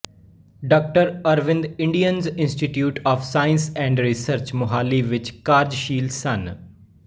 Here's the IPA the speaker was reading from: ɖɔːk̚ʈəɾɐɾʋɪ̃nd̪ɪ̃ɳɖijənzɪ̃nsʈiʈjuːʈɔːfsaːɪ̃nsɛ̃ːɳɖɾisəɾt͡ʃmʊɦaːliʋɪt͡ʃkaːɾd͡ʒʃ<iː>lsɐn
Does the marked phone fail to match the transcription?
no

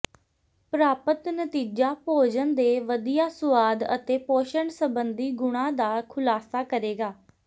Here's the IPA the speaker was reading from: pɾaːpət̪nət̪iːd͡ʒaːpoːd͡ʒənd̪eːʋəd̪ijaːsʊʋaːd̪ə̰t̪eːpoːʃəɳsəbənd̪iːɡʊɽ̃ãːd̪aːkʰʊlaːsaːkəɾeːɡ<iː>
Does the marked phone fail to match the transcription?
yes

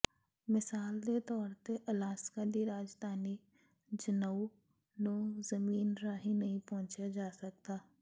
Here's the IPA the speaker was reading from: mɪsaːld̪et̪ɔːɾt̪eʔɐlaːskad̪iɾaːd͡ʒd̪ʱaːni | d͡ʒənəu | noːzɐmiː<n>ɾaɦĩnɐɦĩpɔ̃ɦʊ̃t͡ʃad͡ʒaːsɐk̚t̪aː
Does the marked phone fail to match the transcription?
no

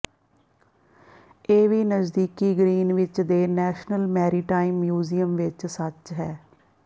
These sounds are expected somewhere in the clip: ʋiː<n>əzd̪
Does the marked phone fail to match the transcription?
no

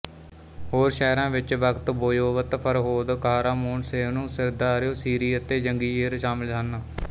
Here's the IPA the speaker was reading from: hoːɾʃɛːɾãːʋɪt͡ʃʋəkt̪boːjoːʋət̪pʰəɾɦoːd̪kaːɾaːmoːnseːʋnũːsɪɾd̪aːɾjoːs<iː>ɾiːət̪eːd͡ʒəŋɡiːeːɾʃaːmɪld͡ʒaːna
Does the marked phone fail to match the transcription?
no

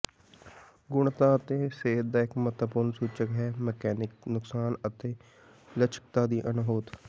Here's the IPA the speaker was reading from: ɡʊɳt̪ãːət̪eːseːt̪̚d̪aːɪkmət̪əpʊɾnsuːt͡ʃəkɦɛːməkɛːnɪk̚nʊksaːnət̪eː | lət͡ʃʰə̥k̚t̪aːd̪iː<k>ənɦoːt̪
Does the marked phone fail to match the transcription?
yes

